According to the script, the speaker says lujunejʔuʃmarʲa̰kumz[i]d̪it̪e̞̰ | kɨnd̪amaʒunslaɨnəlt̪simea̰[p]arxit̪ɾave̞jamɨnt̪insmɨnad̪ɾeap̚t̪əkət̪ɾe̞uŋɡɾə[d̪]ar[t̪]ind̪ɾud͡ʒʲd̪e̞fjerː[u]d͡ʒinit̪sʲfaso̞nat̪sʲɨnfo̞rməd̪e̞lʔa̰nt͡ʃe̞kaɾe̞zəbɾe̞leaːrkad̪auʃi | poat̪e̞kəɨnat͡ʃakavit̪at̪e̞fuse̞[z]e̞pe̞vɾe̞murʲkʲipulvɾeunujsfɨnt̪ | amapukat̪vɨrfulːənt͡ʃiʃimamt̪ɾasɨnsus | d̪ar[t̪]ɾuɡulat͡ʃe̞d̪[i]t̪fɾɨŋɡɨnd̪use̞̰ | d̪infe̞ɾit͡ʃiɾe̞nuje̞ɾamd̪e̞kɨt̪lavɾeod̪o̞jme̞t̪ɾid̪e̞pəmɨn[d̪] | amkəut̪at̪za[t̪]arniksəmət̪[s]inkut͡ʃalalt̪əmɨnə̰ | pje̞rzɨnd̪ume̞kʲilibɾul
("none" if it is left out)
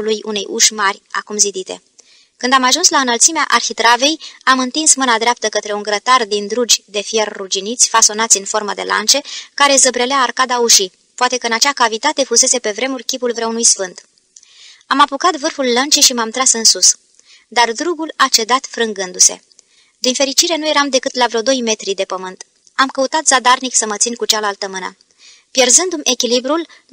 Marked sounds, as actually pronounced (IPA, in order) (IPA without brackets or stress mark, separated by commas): i, ʔ, t̪, d̪, u, s, d̪, a, t̪, d̪, s